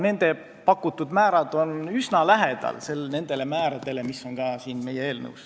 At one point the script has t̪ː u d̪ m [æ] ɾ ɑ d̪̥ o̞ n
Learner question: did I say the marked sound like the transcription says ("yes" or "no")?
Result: no